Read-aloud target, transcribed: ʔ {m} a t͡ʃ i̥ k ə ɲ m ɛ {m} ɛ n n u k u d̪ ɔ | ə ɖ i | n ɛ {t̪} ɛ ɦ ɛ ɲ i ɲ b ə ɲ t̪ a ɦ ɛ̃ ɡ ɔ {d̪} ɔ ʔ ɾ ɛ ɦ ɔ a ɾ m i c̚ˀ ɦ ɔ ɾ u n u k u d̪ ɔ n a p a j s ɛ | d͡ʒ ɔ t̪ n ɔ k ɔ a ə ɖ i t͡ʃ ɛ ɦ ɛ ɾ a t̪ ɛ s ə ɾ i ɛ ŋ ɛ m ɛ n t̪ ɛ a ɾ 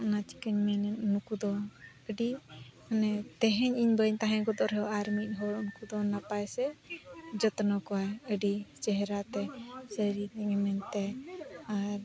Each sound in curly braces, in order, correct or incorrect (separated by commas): incorrect, incorrect, correct, correct